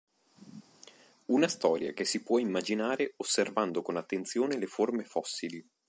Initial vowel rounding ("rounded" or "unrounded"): rounded